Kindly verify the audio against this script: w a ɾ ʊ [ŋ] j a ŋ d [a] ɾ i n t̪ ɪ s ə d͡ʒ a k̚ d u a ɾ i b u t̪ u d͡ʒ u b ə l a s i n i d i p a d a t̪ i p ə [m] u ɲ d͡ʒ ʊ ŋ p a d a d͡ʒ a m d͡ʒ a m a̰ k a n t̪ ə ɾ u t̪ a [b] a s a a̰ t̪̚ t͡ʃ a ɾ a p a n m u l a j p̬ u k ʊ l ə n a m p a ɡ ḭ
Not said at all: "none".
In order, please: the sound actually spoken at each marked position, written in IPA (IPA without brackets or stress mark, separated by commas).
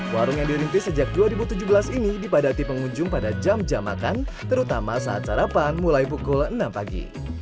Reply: ŋ, i, ŋ, m